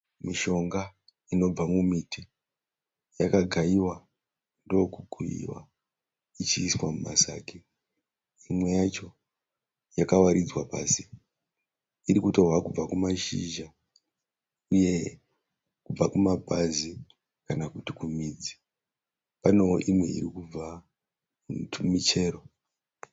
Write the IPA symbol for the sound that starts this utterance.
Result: m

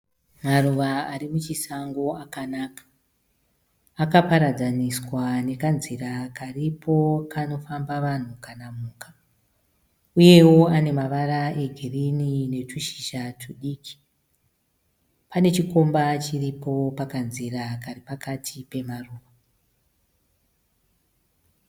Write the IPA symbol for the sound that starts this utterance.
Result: m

